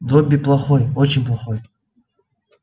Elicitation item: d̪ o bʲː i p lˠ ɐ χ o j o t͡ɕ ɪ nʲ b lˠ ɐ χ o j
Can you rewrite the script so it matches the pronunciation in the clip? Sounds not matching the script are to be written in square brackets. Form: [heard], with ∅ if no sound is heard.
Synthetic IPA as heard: d̪ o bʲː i p lˠ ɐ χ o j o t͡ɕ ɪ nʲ [p] lˠ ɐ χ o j